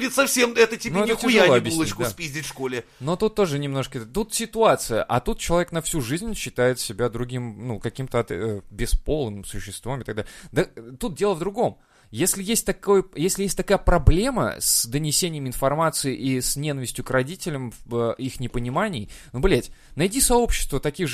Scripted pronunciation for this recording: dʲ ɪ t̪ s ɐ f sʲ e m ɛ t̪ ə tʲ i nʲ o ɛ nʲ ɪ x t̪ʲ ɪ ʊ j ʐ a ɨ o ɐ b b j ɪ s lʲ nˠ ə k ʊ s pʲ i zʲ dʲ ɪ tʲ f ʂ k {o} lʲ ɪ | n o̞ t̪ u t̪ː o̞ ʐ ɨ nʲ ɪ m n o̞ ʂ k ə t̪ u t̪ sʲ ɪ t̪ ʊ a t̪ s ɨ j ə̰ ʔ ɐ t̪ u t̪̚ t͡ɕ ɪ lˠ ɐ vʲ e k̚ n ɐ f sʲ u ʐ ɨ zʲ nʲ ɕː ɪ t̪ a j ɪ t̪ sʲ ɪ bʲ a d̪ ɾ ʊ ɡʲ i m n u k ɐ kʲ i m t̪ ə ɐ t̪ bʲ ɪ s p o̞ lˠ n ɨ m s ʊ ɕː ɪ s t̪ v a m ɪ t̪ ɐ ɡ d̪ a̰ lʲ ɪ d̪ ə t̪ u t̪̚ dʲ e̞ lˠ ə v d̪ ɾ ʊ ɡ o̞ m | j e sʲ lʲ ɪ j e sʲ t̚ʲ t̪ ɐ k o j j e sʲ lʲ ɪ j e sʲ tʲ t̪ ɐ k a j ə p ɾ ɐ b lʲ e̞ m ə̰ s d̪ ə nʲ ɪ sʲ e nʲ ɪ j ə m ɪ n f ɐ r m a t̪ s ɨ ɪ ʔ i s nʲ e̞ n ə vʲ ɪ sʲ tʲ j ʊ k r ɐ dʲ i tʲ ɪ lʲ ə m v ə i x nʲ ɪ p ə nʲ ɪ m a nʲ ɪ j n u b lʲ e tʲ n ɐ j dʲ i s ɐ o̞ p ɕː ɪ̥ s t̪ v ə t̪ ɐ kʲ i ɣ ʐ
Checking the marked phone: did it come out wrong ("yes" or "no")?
no